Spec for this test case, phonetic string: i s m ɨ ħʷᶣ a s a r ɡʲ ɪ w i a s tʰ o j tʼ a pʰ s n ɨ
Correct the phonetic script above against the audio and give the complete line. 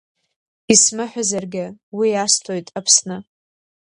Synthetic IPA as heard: i s m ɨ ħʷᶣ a z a r ɡʲ ɪ w i a s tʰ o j tʼ a pʰ s n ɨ